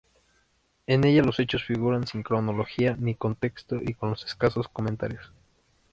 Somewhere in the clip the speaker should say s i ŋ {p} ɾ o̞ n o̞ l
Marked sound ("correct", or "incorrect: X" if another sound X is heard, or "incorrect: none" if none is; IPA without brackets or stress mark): incorrect: k